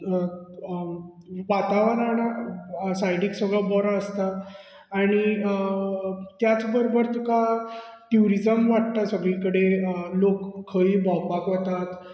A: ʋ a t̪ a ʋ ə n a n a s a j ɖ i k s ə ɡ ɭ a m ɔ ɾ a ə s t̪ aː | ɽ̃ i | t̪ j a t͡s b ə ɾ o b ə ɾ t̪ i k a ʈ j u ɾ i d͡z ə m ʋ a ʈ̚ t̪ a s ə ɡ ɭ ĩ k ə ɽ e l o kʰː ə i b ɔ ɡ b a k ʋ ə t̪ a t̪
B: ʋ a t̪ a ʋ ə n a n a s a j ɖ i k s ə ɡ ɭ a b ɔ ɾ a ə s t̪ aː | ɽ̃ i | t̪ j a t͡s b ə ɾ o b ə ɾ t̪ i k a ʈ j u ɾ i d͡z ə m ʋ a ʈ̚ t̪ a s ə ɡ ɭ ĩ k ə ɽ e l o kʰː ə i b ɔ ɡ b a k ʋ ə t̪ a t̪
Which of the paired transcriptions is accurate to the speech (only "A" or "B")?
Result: B